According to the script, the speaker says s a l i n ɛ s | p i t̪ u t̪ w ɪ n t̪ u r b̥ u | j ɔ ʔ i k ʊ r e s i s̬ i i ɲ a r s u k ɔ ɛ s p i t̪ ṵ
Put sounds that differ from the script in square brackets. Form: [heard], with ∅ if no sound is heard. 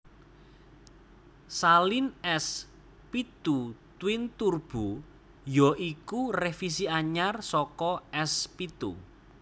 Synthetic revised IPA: s a l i n ɛ s | p i t̪ u t̪ w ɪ n t̪ u r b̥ u | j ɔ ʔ i k [u] r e [f] i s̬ i [a] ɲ a r s [ɔ] k ɔ ɛ s p i t̪ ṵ